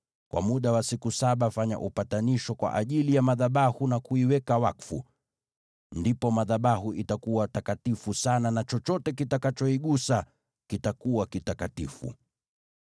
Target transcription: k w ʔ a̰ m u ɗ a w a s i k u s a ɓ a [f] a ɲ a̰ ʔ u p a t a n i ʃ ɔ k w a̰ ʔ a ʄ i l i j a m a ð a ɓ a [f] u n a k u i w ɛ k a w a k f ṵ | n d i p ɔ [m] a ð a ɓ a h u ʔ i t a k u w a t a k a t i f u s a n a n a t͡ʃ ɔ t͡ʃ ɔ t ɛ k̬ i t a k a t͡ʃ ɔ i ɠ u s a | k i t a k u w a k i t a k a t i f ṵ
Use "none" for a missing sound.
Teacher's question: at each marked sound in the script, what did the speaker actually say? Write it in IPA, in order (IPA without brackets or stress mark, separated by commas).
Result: f, h, m